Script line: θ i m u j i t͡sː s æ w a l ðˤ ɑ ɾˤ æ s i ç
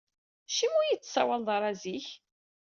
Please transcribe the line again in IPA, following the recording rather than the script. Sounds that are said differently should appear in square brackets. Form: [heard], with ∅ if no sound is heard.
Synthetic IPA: [ʃ] i m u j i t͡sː s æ w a l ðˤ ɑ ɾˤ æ [z] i ç